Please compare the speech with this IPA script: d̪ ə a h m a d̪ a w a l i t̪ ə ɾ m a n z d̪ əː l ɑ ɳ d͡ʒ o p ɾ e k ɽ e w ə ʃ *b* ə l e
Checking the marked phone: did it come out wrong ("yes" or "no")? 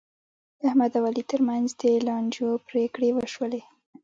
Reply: yes